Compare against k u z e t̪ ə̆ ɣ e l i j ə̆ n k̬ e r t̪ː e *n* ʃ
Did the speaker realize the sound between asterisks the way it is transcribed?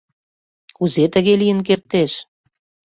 no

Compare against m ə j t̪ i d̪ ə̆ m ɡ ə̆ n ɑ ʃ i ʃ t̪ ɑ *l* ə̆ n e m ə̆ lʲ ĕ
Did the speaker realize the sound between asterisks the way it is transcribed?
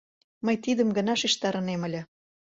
no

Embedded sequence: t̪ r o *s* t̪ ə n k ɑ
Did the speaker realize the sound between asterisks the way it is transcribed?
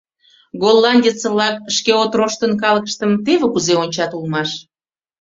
no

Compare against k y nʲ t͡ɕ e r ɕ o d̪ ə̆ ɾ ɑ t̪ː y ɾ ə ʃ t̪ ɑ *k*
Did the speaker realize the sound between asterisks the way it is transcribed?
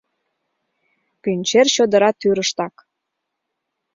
yes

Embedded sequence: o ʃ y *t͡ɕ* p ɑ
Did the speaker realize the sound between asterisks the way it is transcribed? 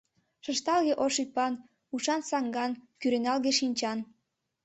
no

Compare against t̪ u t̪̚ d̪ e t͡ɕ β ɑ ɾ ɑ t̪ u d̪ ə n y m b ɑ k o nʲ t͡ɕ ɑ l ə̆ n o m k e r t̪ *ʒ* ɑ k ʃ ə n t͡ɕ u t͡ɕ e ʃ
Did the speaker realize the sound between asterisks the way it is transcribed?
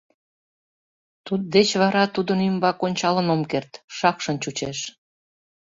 no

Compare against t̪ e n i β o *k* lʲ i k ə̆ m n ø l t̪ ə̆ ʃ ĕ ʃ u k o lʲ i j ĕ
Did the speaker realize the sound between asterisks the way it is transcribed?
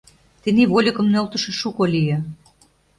no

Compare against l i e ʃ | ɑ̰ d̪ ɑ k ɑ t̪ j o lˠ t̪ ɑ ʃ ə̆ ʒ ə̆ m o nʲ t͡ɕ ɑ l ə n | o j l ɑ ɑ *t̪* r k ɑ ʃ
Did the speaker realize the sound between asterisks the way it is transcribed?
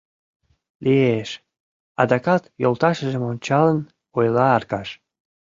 no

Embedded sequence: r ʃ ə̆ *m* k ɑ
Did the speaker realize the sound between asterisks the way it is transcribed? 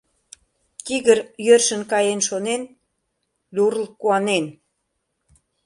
no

